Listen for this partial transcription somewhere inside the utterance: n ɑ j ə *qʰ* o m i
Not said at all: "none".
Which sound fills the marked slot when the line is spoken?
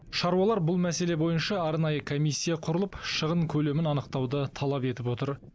kʰ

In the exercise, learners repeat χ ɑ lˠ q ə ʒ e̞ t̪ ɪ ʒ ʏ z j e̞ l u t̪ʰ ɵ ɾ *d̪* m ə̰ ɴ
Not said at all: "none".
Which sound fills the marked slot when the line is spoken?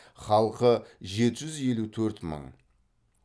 t̪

